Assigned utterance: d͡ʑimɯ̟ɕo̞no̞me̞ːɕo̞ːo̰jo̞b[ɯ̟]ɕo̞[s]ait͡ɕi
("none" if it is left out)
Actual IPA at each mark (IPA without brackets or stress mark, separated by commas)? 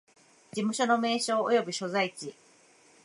ɯ̟, z